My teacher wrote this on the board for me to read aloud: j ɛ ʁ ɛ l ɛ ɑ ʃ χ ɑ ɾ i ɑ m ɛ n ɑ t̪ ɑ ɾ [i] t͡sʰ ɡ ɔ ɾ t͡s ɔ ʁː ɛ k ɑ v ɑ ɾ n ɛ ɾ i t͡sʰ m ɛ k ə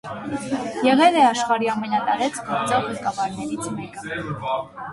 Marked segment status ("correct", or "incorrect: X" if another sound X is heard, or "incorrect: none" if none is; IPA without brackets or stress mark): incorrect: ɛ